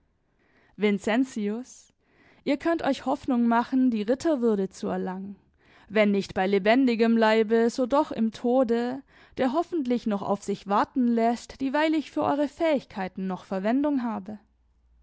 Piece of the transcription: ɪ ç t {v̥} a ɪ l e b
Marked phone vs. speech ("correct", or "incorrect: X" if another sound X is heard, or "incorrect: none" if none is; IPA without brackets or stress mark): incorrect: b̥